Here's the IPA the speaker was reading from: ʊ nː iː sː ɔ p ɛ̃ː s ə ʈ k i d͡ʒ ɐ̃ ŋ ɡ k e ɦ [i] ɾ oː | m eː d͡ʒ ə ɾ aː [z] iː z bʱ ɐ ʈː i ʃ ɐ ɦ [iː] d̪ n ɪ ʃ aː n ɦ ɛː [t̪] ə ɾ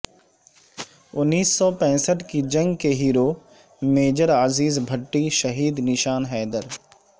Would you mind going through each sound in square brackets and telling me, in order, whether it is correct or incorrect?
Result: incorrect: iː, correct, correct, incorrect: d̪

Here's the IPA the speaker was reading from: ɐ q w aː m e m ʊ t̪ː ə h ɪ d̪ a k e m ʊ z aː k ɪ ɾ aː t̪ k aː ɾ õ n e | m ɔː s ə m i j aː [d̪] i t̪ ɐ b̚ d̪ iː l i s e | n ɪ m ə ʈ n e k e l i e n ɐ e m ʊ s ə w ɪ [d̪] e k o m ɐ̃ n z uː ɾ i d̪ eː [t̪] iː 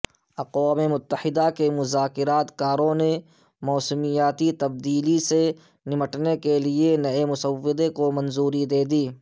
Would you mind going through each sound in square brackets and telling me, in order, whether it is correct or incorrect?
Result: incorrect: t̪, correct, incorrect: d̪

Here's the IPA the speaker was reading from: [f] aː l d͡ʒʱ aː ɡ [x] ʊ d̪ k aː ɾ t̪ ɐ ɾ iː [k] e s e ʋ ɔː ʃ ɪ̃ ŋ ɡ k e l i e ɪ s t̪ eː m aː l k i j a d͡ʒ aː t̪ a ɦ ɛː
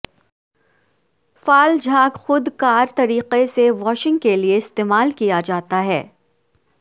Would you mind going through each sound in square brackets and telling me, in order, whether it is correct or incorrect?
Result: correct, correct, incorrect: q

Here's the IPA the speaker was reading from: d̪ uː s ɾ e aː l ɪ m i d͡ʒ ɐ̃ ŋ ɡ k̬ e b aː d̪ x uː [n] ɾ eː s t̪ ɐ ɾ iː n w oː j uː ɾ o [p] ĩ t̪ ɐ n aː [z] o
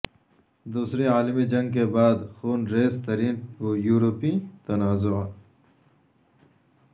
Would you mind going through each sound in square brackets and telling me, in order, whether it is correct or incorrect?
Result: correct, correct, correct

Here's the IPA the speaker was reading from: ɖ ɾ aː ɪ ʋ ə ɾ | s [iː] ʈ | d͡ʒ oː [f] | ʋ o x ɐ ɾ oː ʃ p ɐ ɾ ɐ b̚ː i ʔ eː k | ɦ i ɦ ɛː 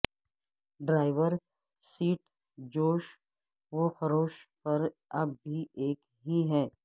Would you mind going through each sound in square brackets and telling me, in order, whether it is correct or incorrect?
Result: correct, incorrect: ʃ

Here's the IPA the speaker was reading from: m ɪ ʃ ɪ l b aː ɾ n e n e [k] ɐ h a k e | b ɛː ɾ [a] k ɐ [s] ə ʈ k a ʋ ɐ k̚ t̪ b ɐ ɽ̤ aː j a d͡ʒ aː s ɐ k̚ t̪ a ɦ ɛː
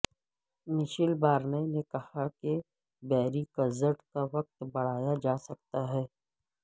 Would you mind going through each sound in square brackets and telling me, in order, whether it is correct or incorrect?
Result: correct, incorrect: i, incorrect: z

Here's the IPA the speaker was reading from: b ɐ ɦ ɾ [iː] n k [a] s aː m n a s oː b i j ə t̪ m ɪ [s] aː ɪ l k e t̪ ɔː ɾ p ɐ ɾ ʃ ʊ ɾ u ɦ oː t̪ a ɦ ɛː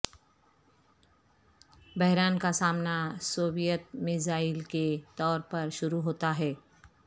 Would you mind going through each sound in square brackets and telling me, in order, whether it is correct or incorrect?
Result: incorrect: aː, correct, incorrect: z

